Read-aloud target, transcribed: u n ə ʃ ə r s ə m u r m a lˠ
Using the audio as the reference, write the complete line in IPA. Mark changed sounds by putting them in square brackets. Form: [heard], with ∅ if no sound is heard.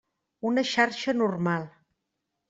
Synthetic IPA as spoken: u n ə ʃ [a] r [ʃ] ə [n] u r m a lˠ